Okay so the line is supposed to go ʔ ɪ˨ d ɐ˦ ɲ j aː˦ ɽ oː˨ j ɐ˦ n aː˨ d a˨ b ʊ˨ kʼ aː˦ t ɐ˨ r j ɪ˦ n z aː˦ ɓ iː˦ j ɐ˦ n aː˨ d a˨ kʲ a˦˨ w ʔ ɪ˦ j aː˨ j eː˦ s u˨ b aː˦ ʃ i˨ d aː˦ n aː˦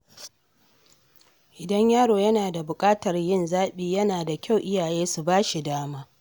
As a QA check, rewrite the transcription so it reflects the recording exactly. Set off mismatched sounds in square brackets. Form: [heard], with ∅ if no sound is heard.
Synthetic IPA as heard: ʔ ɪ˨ d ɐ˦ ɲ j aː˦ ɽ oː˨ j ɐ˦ n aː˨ d a˨ b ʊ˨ kʼ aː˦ t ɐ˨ r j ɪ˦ n z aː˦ ɓ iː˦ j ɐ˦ n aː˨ d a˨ kʲ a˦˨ w ʔ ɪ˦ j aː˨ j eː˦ s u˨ b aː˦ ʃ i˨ d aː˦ [m] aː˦